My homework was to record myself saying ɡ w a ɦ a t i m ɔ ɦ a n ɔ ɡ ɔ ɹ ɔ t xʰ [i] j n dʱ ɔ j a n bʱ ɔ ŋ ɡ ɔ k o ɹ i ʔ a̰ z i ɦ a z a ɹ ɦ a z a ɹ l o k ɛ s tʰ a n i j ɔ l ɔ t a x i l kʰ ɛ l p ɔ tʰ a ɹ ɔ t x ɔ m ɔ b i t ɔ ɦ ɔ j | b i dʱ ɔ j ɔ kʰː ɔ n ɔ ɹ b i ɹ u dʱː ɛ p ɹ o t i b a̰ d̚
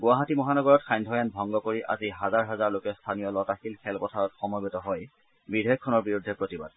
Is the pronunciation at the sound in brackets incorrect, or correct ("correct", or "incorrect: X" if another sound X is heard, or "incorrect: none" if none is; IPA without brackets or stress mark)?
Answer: incorrect: a